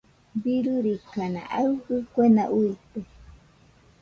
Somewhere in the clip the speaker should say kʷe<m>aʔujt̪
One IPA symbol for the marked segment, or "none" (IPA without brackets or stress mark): n